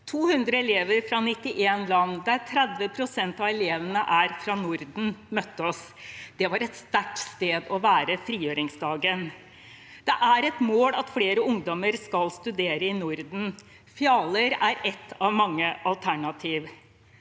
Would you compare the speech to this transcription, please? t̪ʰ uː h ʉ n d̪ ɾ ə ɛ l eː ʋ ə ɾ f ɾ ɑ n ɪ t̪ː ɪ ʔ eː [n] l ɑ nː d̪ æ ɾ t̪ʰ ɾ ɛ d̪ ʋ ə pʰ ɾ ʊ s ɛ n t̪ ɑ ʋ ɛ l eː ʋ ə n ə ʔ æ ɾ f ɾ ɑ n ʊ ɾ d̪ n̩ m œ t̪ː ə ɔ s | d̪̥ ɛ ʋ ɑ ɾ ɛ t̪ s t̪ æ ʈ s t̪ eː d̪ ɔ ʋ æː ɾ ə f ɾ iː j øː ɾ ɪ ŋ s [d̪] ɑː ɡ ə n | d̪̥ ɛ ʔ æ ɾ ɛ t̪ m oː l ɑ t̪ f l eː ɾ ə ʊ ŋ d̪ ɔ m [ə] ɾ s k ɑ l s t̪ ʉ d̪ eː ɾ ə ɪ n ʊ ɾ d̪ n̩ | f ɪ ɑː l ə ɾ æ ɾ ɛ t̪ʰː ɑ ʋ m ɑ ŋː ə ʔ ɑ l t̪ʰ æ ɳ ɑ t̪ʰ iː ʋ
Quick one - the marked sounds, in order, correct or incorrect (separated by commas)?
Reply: correct, correct, correct